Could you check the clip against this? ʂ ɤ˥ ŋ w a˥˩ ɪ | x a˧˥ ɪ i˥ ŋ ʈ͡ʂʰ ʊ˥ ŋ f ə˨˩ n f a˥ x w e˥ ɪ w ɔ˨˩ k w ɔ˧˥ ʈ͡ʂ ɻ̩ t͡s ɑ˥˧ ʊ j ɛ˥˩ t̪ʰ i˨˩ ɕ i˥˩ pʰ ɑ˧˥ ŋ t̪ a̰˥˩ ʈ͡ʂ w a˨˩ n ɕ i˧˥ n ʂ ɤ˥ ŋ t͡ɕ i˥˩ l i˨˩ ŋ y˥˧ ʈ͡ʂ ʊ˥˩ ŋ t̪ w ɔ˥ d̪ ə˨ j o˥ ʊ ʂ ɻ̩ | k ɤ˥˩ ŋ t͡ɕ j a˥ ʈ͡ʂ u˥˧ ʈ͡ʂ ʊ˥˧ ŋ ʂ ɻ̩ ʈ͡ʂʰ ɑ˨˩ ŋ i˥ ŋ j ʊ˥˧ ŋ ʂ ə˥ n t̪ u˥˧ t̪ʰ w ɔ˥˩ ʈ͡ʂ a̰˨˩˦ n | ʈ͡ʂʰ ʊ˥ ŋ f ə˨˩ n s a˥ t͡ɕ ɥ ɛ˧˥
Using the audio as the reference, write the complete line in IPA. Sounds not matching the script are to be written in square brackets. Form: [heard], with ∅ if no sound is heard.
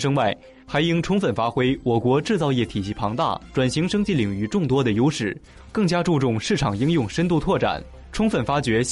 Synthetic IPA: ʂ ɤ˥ ŋ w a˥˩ ɪ | x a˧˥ ɪ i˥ ŋ ʈ͡ʂʰ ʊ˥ ŋ f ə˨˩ n f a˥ x w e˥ ɪ w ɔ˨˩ k w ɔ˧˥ ʈ͡ʂ ɻ̩ t͡s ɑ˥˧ ʊ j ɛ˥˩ t̪ʰ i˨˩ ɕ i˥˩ pʰ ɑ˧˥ ŋ t̪ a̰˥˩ ʈ͡ʂ w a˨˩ n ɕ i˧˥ [ŋ] ʂ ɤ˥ ŋ t͡ɕ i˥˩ l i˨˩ ŋ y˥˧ ʈ͡ʂ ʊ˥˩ ŋ t̪ w ɔ˥ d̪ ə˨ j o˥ ʊ ʂ ɻ̩ | k ɤ˥˩ ŋ t͡ɕ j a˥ ʈ͡ʂ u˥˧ ʈ͡ʂ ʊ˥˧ ŋ ʂ ɻ̩ ʈ͡ʂʰ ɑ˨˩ ŋ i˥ ŋ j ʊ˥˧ ŋ ʂ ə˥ n t̪ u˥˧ t̪ʰ w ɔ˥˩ ʈ͡ʂ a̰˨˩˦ n | ʈ͡ʂʰ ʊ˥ ŋ f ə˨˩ n [f] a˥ t͡ɕ ɥ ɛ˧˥